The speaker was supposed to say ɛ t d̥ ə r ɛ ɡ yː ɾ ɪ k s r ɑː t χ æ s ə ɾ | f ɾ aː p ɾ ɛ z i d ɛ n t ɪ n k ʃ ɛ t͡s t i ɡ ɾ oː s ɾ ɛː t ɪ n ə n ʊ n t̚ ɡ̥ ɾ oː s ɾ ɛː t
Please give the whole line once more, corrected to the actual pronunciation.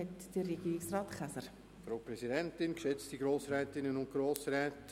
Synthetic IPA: ɛ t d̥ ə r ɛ ɡ iː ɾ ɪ k s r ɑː t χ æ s ə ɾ | f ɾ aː p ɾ ɛ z i d ɛ n t ɪ n k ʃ ɛ t͡s t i ɡ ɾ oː s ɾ ɛː t ɪ n ə n ʊ n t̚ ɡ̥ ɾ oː s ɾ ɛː t